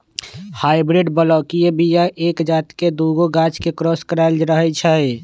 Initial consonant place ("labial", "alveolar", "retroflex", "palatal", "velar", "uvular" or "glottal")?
glottal